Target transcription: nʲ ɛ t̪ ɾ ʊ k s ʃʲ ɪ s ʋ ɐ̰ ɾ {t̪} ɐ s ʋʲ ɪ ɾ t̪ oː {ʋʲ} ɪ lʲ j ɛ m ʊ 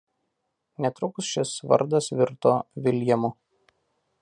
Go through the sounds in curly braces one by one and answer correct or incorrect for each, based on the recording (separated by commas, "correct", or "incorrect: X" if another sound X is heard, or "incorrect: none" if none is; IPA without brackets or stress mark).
incorrect: d̪, correct